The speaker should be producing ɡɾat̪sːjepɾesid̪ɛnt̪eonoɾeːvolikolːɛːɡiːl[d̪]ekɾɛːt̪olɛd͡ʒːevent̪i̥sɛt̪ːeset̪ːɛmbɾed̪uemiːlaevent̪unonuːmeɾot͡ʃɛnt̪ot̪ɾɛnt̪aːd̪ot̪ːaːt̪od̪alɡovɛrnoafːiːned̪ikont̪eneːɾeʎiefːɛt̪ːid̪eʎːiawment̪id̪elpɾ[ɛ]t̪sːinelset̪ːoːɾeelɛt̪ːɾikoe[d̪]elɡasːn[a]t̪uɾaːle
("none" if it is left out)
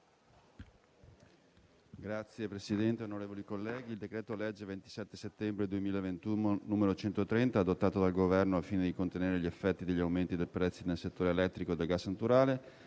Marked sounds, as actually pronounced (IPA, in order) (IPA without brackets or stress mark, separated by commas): d̪, ɛ, d̪, a